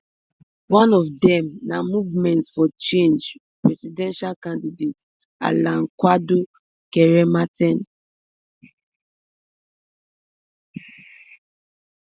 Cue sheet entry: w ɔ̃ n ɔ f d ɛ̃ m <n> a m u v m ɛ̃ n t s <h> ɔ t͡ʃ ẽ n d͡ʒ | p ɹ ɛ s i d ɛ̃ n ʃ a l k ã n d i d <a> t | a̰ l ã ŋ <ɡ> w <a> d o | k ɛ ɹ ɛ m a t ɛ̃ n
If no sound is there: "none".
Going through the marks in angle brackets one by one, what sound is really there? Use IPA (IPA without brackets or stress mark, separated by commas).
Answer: n, f, e, k, a